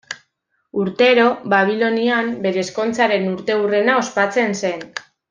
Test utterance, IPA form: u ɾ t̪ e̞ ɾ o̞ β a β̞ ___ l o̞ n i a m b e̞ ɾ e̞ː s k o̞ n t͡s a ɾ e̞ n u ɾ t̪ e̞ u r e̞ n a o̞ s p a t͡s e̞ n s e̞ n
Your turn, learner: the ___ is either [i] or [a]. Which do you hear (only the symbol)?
i